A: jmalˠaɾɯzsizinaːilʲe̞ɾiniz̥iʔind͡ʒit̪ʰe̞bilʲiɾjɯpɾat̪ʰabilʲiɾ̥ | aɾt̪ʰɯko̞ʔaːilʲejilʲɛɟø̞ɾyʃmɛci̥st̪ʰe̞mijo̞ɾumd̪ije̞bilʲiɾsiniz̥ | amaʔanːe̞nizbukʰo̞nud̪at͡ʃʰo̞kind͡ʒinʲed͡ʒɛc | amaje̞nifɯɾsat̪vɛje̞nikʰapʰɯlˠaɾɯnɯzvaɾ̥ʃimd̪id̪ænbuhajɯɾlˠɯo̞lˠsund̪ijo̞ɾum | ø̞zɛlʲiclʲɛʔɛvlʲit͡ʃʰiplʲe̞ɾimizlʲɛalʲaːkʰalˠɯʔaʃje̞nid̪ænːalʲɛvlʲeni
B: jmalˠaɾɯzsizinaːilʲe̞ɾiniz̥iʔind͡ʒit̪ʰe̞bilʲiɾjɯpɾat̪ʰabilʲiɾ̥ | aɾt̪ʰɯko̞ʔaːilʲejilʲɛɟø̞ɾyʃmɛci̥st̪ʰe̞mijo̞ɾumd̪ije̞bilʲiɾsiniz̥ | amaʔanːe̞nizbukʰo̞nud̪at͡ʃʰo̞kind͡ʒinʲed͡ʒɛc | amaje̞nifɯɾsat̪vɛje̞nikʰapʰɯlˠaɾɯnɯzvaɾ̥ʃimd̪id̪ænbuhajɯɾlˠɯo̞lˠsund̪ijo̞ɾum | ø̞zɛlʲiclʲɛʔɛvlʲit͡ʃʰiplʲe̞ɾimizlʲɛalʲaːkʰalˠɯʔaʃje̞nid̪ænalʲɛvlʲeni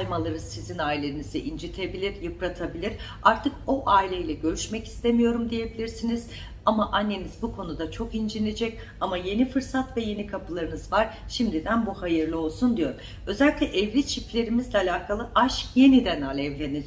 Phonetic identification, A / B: B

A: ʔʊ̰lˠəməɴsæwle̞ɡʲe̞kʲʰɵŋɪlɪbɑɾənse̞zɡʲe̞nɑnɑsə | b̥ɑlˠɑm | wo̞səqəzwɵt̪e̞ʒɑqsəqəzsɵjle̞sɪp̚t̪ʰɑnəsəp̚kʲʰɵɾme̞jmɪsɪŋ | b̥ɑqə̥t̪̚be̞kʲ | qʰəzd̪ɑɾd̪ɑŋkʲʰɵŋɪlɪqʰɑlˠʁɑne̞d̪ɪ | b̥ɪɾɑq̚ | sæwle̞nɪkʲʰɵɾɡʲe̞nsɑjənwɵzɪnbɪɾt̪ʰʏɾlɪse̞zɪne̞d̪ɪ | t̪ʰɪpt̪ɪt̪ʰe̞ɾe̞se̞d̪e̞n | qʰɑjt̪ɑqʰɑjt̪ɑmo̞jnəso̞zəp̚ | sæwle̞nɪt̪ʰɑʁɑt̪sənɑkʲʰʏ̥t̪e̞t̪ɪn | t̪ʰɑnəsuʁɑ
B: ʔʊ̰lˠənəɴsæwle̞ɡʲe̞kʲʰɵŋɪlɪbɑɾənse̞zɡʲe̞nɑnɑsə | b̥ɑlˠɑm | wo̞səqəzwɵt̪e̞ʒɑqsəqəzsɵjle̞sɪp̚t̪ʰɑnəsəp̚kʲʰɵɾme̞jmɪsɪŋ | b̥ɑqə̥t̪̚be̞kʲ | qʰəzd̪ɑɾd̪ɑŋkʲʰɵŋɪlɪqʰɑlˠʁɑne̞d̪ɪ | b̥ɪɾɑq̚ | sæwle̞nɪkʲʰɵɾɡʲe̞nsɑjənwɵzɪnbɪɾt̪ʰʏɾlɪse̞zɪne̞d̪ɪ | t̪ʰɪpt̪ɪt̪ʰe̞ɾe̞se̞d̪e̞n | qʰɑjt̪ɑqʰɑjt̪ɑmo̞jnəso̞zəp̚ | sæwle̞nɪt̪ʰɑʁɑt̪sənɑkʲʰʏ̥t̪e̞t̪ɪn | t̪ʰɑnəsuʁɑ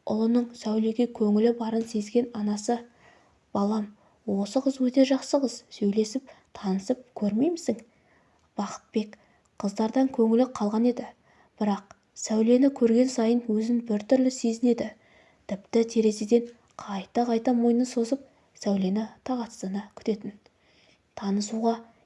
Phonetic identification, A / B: B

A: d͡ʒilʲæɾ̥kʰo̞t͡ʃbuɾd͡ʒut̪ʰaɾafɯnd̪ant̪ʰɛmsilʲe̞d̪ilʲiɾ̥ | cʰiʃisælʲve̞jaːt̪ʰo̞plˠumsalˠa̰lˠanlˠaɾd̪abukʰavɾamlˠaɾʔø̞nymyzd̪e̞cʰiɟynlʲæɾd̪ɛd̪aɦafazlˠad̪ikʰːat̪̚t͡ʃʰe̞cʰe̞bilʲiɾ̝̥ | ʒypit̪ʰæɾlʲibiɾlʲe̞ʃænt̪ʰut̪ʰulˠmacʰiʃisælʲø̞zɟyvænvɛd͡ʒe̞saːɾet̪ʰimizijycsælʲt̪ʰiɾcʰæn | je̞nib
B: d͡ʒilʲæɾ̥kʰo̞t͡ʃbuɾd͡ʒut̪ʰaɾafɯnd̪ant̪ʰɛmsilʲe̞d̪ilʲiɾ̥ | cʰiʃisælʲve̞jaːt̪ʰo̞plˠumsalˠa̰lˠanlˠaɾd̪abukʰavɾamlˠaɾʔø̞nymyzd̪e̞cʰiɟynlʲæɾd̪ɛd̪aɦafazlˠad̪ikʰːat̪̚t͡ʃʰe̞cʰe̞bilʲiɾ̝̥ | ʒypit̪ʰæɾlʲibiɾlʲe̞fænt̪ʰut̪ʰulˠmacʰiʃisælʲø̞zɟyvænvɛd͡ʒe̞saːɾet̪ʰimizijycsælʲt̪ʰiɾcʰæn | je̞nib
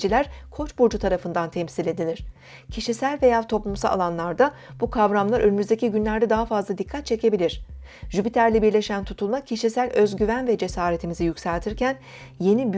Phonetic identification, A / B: A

